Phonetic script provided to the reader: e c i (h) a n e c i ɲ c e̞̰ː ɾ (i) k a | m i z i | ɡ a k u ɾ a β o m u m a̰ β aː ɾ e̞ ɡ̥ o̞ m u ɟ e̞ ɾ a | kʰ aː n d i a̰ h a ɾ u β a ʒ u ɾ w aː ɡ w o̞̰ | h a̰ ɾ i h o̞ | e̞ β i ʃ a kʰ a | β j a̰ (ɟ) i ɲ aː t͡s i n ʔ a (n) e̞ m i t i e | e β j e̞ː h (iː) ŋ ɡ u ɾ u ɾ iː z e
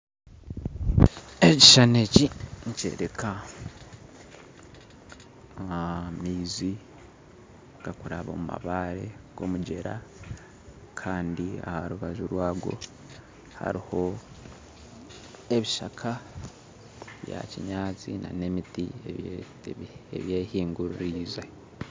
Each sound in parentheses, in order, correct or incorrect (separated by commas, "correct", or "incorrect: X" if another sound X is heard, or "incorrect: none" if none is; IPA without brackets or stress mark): incorrect: ʃ, incorrect: e, incorrect: c, correct, correct